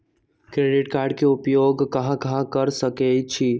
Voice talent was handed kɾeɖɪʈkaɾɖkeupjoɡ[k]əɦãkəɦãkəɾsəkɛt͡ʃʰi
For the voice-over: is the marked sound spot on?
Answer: yes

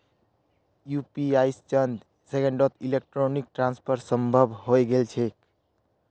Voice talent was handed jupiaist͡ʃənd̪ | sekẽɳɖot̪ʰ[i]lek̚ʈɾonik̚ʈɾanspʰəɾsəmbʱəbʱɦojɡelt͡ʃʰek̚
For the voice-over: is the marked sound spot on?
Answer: yes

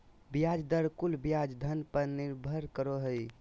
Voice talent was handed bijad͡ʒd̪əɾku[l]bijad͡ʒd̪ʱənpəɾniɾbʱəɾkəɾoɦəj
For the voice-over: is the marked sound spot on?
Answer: yes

